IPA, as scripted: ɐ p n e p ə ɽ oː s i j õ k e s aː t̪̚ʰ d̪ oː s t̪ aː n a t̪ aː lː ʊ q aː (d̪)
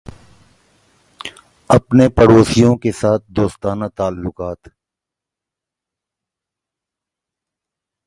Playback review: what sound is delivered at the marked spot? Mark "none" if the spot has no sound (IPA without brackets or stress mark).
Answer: t̪